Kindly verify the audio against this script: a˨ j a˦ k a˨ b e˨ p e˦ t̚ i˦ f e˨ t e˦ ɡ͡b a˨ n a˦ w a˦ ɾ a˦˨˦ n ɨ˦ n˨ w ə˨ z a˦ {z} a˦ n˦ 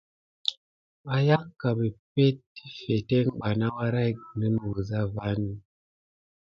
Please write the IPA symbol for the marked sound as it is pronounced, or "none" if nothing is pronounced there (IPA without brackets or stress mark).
v